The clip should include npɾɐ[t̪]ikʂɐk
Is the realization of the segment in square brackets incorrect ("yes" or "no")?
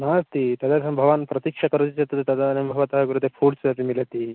no